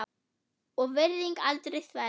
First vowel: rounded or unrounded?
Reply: rounded